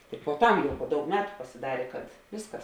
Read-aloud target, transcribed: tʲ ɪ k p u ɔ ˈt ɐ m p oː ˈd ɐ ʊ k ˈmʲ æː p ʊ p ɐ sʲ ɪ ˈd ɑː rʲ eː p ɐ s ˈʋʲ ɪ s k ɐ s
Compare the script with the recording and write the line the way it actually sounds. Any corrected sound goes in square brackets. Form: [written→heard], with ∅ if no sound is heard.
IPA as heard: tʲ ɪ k p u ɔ ˈt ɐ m p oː ˈd ɐ ʊ k ˈmʲ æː [p→t] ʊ p ɐ sʲ ɪ ˈd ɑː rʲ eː [p→k] ɐ [s→t] ˈʋʲ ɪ s k ɐ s